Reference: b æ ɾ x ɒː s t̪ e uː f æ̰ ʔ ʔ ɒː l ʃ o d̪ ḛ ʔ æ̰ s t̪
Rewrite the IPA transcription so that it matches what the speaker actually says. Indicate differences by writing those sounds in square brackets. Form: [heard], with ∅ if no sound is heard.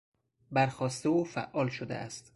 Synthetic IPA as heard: b æ ɾ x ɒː s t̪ e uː f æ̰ ʔ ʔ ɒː l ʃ o d̪ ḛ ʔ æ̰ s t̪